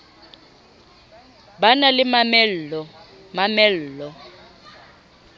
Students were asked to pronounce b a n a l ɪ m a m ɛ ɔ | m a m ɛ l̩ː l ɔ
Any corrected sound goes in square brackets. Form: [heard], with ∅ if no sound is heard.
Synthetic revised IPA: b a n a l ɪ m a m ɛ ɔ | m a m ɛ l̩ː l ɔ